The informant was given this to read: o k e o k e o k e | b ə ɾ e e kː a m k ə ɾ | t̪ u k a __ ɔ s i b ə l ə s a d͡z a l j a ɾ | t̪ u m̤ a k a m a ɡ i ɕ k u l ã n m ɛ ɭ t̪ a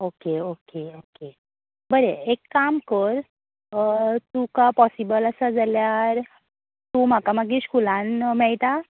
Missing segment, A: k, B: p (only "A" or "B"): B